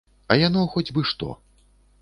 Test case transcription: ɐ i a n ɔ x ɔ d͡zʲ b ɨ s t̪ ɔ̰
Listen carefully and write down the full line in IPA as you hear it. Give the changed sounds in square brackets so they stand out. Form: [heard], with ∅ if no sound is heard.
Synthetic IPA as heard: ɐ [j] a n ɔ x ɔ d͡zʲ b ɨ [ʂ] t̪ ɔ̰

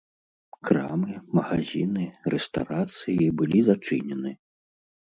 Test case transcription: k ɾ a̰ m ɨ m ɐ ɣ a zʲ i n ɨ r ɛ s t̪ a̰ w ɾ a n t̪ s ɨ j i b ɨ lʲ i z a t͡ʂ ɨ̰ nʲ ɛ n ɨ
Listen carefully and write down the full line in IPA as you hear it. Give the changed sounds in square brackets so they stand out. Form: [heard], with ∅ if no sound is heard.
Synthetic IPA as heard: k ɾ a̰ m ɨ m ɐ ɣ a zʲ i n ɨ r ɛ s t̪ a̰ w ɾ a [∅] t̪ s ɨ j i b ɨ lʲ i z a t͡ʂ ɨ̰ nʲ ɛ n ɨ

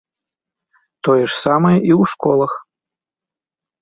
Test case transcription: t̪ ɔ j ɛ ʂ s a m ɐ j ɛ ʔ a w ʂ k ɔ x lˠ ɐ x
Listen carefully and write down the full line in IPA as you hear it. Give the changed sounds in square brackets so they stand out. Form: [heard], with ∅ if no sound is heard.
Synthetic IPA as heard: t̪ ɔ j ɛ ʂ s a m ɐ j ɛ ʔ [i] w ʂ k ɔ [∅] lˠ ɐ x

